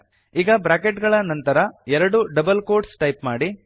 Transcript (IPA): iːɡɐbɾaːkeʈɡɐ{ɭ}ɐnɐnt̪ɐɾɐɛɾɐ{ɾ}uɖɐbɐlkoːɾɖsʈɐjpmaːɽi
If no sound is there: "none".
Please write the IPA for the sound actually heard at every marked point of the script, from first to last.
ɭ, ɽ

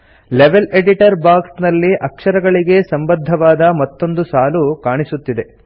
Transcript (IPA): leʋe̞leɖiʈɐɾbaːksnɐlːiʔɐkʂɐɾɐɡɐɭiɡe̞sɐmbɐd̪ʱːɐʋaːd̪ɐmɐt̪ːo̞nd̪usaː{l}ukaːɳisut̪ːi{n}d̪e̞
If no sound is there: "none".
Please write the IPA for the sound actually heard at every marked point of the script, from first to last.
l, none

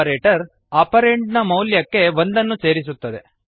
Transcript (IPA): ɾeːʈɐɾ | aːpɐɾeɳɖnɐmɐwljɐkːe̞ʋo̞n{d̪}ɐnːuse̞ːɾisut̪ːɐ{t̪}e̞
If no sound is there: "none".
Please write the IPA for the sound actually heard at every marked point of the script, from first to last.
d̪, d̪

